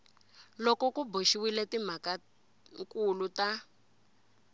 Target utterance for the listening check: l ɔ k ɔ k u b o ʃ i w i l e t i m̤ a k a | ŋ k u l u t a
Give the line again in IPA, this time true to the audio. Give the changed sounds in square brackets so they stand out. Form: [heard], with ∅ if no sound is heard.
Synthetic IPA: l ɔ k ɔ k u b o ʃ i w i l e t i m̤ a k a | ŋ k u l u t a